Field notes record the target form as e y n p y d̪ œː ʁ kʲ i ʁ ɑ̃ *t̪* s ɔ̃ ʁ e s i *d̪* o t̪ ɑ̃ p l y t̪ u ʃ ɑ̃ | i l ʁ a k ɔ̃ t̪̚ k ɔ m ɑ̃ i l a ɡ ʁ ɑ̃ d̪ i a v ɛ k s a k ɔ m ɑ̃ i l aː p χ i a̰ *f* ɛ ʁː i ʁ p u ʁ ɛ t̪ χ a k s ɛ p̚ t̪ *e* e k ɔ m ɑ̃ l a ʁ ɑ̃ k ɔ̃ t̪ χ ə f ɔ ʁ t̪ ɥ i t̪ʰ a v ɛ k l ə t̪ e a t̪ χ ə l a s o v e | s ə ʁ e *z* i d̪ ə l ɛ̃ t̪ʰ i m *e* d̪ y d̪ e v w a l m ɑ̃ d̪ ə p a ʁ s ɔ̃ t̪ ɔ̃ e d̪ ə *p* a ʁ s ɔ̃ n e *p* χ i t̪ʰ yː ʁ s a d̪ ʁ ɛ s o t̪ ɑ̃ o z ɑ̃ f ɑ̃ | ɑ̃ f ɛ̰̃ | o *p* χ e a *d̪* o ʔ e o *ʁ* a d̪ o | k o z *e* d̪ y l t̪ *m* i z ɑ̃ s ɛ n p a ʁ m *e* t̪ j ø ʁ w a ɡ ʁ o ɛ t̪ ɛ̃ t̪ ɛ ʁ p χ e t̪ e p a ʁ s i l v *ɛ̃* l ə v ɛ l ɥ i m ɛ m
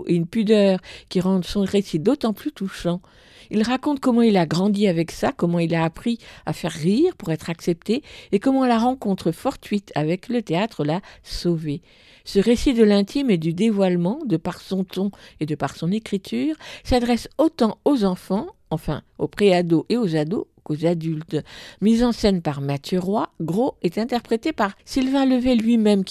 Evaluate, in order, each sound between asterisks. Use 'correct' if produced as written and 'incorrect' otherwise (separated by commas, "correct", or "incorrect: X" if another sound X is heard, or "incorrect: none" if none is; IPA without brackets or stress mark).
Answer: incorrect: d̪, correct, correct, correct, incorrect: s, correct, correct, incorrect: k, correct, correct, incorrect: z, incorrect: a, correct, incorrect: a, correct